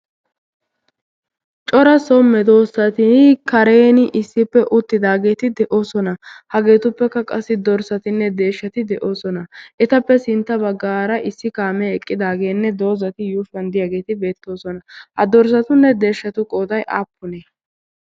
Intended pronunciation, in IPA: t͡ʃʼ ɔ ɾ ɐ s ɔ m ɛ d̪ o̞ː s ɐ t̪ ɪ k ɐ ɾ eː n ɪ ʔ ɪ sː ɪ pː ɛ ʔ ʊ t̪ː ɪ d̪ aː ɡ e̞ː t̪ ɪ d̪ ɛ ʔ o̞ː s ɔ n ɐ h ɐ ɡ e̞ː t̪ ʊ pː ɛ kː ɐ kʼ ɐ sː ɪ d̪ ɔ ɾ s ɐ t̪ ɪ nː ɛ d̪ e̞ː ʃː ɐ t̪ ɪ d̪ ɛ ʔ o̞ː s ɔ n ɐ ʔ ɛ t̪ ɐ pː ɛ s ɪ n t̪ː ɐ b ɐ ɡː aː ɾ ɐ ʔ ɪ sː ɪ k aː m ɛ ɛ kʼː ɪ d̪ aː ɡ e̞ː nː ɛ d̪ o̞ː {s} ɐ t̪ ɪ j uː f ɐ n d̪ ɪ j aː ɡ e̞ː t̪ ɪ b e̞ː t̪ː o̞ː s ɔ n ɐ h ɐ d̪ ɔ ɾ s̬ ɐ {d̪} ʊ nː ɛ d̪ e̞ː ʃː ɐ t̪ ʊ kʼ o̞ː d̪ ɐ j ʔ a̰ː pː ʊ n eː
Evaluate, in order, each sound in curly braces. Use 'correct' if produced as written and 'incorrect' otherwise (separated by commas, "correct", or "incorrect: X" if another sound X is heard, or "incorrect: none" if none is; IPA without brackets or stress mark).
incorrect: z, incorrect: t̪